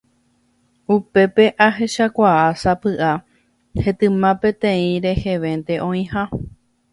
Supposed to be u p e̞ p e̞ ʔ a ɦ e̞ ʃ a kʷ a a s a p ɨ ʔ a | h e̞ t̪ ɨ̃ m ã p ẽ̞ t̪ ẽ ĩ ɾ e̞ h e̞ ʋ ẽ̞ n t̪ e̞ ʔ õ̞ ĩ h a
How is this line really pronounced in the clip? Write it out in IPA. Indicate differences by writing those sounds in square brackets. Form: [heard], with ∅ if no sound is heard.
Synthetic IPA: u p e̞ p e̞ ʔ a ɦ e̞ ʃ a kʷ a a s a p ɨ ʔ a | h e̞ t̪ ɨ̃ m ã p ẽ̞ t̪ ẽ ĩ ɾ e̞ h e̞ ʋ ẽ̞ n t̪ e̞ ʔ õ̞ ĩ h a